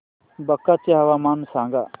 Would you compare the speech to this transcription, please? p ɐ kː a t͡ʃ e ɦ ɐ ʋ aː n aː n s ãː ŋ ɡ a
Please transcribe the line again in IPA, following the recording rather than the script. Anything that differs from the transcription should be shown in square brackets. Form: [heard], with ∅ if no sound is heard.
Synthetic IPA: [b] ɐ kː a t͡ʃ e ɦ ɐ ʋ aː [m] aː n s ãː ŋ ɡ a